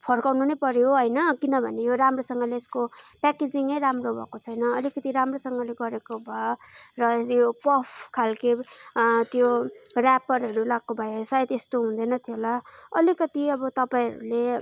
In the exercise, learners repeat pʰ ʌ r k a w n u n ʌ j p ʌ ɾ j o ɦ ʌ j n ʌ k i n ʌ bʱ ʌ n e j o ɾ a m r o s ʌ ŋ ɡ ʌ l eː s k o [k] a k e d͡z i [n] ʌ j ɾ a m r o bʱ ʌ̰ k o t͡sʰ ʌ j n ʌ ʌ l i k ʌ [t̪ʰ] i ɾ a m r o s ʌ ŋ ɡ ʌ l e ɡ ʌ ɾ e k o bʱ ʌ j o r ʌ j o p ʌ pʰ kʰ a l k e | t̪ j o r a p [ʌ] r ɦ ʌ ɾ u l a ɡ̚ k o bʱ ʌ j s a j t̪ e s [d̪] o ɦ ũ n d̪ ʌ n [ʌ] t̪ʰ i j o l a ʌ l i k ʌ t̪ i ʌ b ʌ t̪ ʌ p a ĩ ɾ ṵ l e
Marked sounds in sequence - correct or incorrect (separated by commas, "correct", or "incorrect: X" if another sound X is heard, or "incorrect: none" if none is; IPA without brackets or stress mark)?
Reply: incorrect: p, incorrect: ŋ, incorrect: t̪, correct, incorrect: t̪, correct